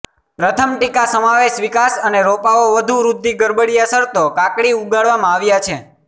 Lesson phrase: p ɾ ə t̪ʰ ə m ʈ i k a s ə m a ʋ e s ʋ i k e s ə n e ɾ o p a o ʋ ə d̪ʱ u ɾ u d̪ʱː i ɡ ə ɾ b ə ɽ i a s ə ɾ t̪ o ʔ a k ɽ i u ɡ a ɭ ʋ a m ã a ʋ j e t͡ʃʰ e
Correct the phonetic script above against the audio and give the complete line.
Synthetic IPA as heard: p ɾ ə t̪ʰ ə m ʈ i k a s ə m a ʋ e ʃ ʋ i k a s ə n e ɾ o p a o ʋ ə d̪ʱ u ɾ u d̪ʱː i ɡ ə ɾ b ə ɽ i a s ə ɾ t̪ o k a k ɽ i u ɡ a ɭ ʋ a m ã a ʋ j a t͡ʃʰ e